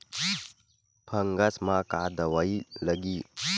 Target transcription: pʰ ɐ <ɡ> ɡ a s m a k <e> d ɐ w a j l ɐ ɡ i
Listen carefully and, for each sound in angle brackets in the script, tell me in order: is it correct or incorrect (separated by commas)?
incorrect, incorrect